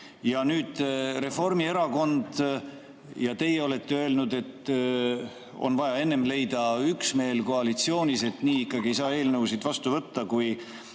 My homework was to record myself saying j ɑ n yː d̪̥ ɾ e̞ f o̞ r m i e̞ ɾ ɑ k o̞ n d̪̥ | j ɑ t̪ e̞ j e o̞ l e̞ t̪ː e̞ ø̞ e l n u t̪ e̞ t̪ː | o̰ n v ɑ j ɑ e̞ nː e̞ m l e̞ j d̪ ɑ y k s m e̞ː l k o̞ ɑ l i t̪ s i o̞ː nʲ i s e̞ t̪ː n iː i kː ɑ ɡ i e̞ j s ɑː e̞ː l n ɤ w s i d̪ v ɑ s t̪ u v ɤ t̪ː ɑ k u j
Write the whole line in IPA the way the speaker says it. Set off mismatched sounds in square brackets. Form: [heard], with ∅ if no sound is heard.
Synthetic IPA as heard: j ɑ n yː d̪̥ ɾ e̞ f o̞ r m i e̞ ɾ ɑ k o̞ n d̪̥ | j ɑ t̪ e̞ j e o̞ l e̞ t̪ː e̞ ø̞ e l n u [d̪] e̞ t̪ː | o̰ n v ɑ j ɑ e̞ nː e̞ m l e̞ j d̪ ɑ y k s m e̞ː l k o̞ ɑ l i t̪ s i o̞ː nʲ i s e̞ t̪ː n iː i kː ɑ ɡ i e̞ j s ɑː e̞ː l n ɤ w s i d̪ v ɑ s t̪ u v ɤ t̪ː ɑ k u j